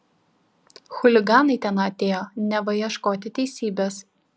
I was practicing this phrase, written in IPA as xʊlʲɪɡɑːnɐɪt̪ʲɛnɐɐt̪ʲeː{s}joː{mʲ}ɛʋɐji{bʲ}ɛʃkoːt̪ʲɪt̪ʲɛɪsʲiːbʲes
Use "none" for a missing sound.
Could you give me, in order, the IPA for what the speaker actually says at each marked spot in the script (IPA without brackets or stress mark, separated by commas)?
none, nʲ, none